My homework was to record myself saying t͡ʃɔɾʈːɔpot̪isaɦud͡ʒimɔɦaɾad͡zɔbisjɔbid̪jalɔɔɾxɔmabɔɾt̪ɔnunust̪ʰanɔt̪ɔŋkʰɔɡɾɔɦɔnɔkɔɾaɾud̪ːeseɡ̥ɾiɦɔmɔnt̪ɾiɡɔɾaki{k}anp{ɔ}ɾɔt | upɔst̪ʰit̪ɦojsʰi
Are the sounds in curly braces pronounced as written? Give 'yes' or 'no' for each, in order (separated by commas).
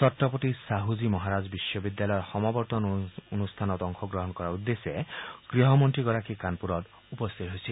yes, no